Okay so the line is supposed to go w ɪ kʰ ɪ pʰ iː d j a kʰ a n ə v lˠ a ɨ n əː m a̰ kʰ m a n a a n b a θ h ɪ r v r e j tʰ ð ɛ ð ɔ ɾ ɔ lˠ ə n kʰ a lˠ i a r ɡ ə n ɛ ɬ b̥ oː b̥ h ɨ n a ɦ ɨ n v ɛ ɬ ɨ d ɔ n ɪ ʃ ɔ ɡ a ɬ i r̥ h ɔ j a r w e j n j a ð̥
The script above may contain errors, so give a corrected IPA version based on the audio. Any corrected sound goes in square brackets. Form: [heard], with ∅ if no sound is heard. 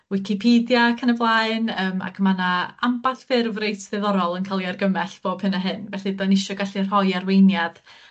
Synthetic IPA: w ɪ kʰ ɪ pʰ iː d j a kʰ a n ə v lˠ a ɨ n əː m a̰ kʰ m a n a a [m] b a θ [f] ɪ r v r e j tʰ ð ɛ ð ɔ ɾ ɔ lˠ ə n kʰ a lˠ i a r ɡ ə [m] ɛ ɬ b̥ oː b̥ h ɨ n a ɦ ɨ n v ɛ ɬ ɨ d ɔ n ɪ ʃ ɔ ɡ a ɬ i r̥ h ɔ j a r w e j n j a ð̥